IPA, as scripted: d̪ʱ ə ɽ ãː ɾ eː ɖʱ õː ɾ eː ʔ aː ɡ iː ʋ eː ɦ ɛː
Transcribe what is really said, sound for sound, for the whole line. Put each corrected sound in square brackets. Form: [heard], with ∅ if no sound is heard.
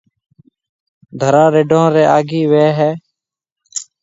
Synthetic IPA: d̪ʱ ə [ɾ] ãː ɾ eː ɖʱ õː ɾ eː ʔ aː ɡ iː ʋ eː ɦ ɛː

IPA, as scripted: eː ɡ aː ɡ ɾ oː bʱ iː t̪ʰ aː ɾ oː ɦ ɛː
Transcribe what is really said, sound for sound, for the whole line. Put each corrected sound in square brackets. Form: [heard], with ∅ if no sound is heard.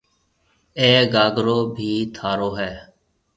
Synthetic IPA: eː ɡ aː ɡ ɾ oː bʱ iː t̪ʰ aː ɾ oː ɦ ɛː

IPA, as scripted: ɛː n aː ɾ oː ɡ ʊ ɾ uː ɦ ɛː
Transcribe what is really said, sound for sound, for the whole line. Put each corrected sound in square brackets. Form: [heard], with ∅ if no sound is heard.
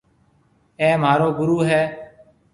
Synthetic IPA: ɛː [m] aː ɾ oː ɡ ʊ ɾ uː ɦ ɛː

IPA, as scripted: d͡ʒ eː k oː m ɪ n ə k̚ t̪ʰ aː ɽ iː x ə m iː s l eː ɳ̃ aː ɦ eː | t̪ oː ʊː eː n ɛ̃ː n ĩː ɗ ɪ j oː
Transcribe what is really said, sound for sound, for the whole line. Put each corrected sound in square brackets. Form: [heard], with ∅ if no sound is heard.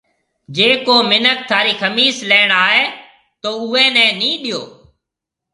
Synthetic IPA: d͡ʒ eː k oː m ɪ n ə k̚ t̪ʰ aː [ɾ] iː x ə m iː s l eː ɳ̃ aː ɦ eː | t̪ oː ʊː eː n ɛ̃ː n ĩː ɗ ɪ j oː

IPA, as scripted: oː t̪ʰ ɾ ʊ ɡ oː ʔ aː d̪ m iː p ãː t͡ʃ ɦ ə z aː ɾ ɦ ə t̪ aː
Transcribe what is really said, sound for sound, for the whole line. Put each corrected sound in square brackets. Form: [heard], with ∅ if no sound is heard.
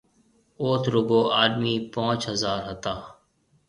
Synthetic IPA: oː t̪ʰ ɾ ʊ ɡ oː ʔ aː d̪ m iː p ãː t͡ʃ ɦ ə z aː ɾ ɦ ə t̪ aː

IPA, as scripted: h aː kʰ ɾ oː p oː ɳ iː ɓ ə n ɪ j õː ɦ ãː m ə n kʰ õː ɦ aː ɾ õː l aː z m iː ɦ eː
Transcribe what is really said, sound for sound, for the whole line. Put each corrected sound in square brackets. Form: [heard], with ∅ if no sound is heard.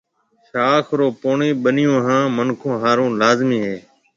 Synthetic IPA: [ʃ] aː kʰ ɾ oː p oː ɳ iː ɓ ə n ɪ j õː ɦ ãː m ə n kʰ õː ɦ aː ɾ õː l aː z m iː ɦ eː

